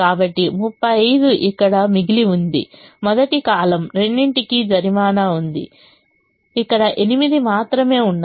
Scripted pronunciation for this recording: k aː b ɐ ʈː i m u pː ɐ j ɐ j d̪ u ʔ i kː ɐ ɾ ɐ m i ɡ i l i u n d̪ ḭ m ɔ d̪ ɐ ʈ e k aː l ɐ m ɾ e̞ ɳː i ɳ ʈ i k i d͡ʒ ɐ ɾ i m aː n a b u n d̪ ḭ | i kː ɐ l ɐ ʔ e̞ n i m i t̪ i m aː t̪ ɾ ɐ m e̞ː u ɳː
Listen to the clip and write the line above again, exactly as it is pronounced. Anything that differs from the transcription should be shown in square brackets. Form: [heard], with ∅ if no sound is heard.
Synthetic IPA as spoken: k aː b ɐ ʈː i m u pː ɐ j ɐ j d̪ u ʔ i kː ɐ [ɽ] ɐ m i ɡ i l i u n d̪ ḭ m ɔ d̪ ɐ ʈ [i] k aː l ɐ m ɾ e̞ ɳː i ɳ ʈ i k i d͡ʒ ɐ ɾ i m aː n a [∅] u n d̪ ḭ | i kː ɐ [ɽ] ɐ ʔ e̞ n i m i [d̪] i m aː t̪ ɾ ɐ m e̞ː u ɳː

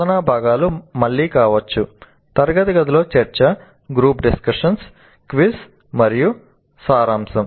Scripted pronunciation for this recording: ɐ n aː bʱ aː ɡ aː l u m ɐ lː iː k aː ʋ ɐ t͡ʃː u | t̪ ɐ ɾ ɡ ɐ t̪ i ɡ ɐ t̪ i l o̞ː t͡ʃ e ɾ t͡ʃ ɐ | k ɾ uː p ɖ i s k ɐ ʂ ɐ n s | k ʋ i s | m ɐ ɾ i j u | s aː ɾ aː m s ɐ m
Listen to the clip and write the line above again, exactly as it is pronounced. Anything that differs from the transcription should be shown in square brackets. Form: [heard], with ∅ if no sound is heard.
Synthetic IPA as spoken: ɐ n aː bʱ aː ɡ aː l u m ɐ [ɭː] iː k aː ʋ ɐ t͡ʃː u | t̪ ɐ ɾ ɡ ɐ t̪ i ɡ ɐ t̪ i l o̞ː t͡ʃ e ɾ t͡ʃ ɐ | [ɡ] ɾ uː p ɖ i s k ɐ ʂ ɐ n s | k ʋ i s | m ɐ ɾ i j u | s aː ɾ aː m s ɐ m

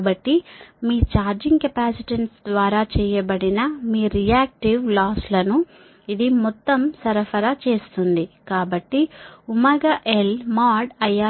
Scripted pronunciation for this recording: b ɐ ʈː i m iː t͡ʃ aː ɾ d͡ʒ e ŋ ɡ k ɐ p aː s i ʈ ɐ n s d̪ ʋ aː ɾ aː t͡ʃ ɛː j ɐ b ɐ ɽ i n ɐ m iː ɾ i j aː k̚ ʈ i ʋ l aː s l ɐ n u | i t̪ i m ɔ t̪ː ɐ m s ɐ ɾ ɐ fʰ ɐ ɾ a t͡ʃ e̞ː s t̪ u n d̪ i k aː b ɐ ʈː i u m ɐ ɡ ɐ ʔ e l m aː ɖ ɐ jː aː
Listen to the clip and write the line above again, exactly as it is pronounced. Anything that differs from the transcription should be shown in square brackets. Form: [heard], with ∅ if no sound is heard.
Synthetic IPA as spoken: b ɐ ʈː i m iː t͡ʃ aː ɾ d͡ʒ [i] ŋ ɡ k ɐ p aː s i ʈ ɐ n s d̪ ʋ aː ɾ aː t͡ʃ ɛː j ɐ b ɐ ɽ i n ɐ m iː ɾ i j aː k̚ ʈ i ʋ l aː s l ɐ n u | i [d̪] i m ɔ t̪ː ɐ m s ɐ ɾ ɐ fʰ ɐ ɾ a t͡ʃ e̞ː s t̪ u n d̪ i k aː b ɐ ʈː i u m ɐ ɡ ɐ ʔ e l m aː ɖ ɐ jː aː

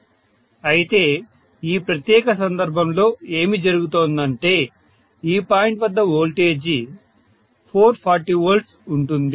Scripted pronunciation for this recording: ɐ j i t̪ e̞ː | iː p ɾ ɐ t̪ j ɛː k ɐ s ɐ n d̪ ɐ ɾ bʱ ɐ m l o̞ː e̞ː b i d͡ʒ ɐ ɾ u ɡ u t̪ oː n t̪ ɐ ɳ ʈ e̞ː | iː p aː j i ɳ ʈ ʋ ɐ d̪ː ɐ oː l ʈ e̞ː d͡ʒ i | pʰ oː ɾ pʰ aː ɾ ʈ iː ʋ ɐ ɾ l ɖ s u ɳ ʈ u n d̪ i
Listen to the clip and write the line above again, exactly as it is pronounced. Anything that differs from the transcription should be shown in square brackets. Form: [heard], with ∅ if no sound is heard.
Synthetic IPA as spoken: ɐ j i t̪ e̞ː | iː p ɾ ɐ t̪ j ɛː k ɐ s ɐ n d̪ ɐ ɾ bʱ ɐ m l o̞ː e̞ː [m] i d͡ʒ ɐ ɾ u ɡ u t̪ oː n [d̪] ɐ ɳ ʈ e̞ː | iː p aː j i ɳ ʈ ʋ ɐ d̪ː ɐ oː l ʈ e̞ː d͡ʒ i | pʰ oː ɾ pʰ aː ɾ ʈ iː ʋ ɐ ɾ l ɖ s u ɳ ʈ u n d̪ i

